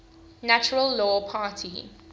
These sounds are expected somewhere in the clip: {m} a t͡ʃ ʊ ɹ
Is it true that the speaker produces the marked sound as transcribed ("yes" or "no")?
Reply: no